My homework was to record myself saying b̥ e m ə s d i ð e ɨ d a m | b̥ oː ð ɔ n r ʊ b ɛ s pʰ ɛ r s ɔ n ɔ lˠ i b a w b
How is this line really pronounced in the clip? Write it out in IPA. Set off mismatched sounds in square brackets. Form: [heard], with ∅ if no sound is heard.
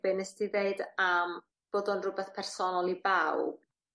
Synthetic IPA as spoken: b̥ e [n] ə s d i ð e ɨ d a m | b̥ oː ð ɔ n r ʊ b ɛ [θ] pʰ ɛ r s ɔ n ɔ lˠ i b a w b